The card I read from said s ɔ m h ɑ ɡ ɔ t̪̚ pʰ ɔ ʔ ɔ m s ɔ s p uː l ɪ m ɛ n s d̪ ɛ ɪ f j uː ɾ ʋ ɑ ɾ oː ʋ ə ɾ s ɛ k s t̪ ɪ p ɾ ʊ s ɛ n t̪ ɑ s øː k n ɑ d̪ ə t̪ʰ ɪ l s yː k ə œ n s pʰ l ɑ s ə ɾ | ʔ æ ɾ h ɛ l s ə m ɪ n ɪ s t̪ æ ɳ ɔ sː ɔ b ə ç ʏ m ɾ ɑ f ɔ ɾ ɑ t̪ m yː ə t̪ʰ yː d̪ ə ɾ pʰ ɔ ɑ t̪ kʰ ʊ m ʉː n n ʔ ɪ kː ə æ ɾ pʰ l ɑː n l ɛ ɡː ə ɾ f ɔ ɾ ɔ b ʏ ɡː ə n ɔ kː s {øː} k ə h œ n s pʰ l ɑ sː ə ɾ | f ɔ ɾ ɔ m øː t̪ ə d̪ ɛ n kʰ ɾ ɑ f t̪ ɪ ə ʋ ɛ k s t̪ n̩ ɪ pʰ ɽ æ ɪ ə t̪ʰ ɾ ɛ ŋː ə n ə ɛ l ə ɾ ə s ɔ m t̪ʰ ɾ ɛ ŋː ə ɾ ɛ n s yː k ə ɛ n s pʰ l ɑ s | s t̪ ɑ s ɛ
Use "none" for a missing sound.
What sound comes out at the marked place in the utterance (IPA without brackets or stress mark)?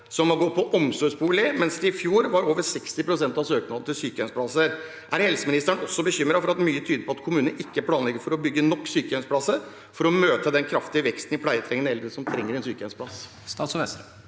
yː